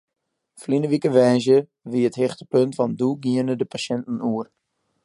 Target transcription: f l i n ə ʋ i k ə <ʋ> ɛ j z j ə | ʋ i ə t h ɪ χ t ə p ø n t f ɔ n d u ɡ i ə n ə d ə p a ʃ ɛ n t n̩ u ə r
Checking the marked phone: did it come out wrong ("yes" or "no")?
no